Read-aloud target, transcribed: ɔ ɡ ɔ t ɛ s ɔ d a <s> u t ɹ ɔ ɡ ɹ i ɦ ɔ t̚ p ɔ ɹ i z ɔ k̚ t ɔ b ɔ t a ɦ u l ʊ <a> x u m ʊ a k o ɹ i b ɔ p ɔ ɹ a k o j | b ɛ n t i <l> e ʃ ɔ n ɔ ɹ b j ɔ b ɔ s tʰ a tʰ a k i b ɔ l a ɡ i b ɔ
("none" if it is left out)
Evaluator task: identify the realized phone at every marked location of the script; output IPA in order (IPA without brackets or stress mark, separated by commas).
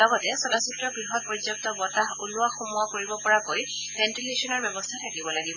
s, a, l